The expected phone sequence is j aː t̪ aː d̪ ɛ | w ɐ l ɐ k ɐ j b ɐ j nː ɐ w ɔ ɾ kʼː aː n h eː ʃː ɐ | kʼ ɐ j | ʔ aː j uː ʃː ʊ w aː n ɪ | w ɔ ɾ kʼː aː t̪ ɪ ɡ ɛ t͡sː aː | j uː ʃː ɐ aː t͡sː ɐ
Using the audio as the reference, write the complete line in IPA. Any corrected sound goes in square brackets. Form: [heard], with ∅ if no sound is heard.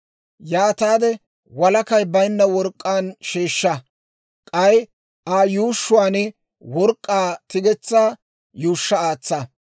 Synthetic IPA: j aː t̪ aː d̪ ɛ | w ɐ l ɐ k ɐ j b ɐ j nː ɐ w ɔ ɾ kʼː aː n [ʃ] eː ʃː ɐ | kʼ ɐ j | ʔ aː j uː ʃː ʊ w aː n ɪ | w ɔ ɾ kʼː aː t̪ ɪ ɡ ɛ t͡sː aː | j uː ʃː ɐ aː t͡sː ɐ